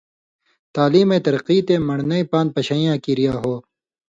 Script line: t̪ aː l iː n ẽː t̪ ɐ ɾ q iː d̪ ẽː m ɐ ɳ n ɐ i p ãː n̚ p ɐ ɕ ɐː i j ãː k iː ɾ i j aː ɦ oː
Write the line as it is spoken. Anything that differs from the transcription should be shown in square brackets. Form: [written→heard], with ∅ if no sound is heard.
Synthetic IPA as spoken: t̪ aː l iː [n→m] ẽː t̪ ɐ ɾ q iː [d̪→t̪] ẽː m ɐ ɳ n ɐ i p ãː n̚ p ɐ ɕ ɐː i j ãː k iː ɾ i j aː ɦ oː